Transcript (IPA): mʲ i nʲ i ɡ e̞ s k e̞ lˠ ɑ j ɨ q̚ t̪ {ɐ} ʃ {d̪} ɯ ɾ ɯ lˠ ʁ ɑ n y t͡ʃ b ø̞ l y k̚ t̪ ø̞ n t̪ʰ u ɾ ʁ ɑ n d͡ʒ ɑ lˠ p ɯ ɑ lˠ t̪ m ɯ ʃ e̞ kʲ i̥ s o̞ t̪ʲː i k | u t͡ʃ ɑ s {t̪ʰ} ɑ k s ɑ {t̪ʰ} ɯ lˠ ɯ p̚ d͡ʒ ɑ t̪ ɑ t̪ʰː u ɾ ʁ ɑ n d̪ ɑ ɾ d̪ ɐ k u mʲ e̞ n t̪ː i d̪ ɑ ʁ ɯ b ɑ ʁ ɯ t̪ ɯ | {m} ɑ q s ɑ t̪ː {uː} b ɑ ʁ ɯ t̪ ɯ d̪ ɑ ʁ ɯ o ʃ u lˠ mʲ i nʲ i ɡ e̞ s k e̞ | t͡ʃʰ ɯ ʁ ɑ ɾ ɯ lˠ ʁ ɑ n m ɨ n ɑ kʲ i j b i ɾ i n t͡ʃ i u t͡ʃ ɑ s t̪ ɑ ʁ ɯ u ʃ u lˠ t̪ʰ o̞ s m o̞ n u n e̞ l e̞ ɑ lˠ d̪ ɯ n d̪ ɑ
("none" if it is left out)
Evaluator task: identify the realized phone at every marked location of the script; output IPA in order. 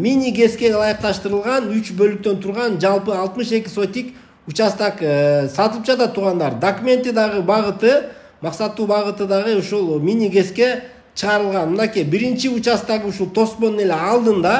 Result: ɑ, t̪, t̪, t̪, m, uː

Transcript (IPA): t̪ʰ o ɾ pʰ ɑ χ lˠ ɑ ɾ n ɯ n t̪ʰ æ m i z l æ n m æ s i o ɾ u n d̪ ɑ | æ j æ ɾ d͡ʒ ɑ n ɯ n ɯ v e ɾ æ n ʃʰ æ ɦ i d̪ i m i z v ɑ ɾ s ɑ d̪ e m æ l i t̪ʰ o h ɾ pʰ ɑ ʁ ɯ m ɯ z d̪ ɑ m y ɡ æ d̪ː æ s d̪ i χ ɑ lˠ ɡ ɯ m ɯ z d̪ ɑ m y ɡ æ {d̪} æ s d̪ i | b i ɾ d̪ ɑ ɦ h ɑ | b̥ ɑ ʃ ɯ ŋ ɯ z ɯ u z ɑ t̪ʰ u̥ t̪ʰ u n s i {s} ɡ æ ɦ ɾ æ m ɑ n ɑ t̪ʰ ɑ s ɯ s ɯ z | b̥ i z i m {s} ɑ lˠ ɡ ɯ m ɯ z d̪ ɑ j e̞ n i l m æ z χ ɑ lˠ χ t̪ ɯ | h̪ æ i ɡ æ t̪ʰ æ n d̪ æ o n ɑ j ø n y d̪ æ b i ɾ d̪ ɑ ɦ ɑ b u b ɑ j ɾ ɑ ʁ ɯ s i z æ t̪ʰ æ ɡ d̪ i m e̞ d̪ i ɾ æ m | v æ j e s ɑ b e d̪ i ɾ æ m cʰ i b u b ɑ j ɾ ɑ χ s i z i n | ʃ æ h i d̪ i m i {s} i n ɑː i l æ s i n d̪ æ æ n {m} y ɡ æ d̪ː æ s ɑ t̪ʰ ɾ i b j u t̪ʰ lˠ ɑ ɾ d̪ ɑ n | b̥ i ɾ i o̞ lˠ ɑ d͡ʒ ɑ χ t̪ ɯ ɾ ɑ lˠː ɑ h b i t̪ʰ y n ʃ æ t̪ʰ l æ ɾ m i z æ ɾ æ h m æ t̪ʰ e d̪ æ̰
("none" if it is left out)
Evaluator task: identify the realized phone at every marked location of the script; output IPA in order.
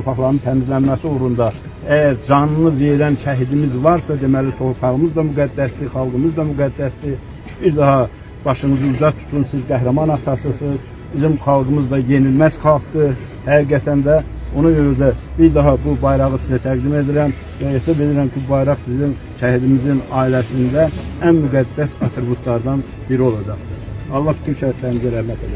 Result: d̪ː, z, χ, z, m

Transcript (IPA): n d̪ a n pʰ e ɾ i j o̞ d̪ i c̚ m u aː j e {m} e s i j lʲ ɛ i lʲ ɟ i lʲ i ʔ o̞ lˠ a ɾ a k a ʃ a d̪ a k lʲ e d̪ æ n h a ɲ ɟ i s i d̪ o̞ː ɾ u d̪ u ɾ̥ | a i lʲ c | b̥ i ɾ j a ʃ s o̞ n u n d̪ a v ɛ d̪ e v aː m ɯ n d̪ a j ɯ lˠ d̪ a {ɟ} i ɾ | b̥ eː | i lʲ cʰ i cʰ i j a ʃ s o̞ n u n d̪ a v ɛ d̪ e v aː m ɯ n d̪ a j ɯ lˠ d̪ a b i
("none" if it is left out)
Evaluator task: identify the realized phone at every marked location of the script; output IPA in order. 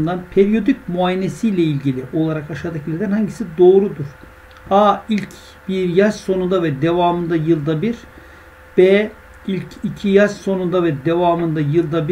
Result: n, b

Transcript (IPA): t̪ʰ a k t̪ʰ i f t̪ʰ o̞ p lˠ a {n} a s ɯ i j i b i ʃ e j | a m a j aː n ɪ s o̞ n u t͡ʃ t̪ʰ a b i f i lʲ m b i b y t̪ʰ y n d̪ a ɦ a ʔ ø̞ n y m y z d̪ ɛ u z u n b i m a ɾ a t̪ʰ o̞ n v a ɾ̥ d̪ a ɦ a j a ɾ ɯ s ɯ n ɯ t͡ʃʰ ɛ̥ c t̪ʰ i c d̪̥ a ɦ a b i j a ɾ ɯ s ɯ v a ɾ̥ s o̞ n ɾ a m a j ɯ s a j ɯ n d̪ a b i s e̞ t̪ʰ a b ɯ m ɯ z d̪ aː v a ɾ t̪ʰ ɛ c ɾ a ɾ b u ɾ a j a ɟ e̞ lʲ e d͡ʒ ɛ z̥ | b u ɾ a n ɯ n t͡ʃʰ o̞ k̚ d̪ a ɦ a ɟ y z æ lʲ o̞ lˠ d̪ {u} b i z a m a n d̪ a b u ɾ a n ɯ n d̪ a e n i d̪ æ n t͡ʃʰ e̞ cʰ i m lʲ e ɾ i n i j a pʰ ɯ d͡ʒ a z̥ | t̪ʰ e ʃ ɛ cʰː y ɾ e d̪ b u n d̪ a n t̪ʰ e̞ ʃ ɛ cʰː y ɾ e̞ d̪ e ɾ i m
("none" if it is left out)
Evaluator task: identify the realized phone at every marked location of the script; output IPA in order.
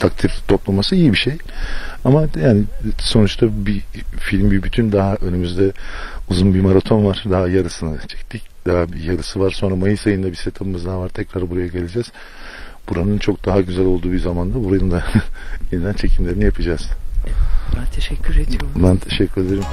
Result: m, uː

